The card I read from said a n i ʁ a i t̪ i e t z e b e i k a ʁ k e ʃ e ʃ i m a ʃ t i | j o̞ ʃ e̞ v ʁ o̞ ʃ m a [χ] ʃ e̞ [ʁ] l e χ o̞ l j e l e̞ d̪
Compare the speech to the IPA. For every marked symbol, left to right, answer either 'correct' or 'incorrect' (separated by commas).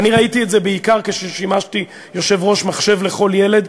correct, incorrect